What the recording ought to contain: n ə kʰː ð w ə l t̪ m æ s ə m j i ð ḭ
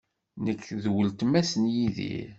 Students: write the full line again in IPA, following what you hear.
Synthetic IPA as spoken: n ə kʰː ð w ə l t̪ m æ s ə n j i ð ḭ